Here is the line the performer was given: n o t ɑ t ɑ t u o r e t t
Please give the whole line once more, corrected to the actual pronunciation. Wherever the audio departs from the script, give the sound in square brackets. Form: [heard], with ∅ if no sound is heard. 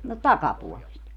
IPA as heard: n o t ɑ [k] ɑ [p] u o [l] e [s] t